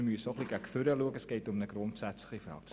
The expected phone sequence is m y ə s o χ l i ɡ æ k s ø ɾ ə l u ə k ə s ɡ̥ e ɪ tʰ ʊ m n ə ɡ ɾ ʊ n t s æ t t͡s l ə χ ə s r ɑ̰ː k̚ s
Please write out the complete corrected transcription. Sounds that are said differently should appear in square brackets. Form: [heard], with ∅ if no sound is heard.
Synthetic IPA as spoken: m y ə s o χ l i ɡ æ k [f] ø ɾ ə l u ə k ə s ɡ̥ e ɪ [t] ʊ m n ə ɡ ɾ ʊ n t s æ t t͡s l ə χ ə [f] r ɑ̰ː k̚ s